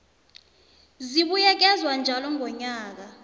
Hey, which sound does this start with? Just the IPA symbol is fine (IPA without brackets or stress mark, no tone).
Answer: z